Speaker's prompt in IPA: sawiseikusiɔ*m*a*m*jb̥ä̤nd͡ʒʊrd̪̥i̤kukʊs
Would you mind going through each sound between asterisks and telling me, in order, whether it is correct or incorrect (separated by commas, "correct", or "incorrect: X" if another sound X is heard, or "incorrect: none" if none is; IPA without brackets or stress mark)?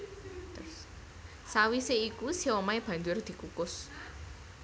correct, incorrect: none